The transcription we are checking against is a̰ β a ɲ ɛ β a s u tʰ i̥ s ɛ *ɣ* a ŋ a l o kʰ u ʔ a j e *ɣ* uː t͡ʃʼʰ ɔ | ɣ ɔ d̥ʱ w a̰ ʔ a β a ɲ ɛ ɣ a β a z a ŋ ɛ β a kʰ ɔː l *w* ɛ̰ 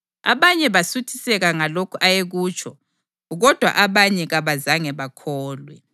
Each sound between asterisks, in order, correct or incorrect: correct, correct, correct

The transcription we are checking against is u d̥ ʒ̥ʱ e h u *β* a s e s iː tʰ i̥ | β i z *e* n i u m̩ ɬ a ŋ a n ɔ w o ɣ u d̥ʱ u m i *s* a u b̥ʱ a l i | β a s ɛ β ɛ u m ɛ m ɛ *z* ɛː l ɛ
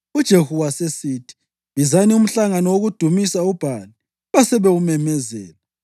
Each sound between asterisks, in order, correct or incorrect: incorrect: w, incorrect: a, correct, correct

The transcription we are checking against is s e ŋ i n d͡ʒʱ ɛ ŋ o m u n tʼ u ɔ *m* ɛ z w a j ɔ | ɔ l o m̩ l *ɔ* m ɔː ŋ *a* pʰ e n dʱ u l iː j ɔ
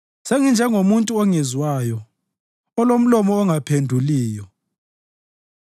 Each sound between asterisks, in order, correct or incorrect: incorrect: ŋ, correct, correct

